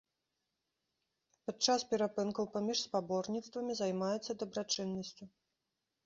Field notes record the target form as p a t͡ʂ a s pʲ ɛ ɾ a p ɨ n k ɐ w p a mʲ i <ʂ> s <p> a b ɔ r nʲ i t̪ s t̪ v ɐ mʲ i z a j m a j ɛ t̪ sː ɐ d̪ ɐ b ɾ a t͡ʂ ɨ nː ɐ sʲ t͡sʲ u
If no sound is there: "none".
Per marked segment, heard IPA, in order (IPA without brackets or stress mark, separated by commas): ʂ, p